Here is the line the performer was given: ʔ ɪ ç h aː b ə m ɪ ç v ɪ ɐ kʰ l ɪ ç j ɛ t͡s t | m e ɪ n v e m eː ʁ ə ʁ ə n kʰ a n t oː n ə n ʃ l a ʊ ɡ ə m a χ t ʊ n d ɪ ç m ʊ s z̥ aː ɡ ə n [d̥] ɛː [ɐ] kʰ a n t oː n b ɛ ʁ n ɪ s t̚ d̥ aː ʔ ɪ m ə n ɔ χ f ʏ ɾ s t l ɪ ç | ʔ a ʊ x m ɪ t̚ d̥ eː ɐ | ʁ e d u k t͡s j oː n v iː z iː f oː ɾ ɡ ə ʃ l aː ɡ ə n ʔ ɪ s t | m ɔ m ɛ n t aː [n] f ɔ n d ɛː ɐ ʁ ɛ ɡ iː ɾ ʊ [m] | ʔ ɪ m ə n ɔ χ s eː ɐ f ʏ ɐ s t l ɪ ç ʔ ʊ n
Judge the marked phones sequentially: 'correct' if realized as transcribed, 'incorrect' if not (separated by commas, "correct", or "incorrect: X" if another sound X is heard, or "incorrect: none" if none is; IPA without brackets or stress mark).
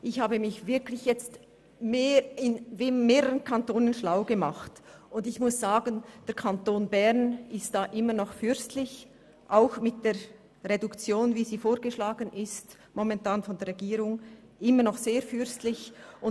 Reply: correct, correct, correct, incorrect: ŋ